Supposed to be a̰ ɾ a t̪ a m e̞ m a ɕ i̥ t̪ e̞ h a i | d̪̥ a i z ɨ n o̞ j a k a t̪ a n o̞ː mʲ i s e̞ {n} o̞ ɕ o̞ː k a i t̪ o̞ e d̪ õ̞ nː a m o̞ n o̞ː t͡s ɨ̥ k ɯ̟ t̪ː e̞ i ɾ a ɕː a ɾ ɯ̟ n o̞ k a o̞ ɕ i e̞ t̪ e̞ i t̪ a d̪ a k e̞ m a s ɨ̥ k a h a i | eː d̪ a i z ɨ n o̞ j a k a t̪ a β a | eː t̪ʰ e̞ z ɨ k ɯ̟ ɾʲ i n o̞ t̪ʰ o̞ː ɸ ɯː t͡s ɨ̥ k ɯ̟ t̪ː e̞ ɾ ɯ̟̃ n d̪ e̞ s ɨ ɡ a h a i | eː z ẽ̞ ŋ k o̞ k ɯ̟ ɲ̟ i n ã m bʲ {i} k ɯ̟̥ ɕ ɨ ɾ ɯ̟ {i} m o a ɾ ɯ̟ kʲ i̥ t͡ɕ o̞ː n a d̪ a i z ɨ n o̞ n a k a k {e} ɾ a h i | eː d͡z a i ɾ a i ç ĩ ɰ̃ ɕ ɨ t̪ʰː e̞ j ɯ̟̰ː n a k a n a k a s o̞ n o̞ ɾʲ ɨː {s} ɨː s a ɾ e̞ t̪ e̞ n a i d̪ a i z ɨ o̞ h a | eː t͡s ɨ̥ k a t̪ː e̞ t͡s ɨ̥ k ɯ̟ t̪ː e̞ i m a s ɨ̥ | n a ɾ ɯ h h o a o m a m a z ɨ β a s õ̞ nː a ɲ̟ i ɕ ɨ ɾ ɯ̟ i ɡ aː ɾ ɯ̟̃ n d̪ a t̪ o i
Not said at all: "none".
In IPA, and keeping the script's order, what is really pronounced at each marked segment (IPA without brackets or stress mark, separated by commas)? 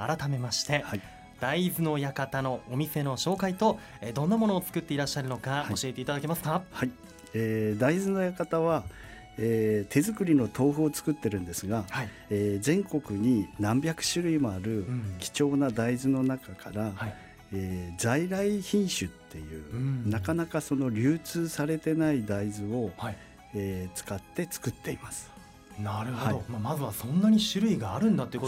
n, a, i, a, t͡s